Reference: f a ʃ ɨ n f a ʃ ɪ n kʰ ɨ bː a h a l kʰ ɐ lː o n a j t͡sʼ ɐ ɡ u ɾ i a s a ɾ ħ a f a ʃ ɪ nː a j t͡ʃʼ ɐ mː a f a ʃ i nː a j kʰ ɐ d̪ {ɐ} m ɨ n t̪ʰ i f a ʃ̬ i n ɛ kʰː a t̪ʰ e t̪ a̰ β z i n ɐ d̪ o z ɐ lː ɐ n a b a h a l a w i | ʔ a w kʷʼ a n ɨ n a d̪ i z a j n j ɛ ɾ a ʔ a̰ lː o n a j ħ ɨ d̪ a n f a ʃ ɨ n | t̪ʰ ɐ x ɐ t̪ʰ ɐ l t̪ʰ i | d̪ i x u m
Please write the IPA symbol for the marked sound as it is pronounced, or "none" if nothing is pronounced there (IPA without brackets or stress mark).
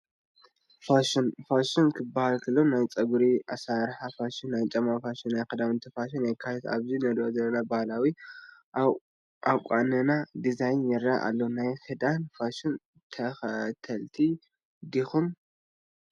a